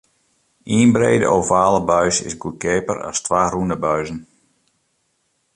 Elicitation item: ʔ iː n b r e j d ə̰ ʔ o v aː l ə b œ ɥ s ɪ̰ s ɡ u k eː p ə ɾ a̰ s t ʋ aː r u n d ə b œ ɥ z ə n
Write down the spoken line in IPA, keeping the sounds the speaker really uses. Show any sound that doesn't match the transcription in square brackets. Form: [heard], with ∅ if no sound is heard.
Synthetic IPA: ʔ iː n b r e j d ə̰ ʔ o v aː l ə b œ ɥ s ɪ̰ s ɡ u k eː p ə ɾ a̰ s t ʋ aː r u n d ə b œ ɥ z ə n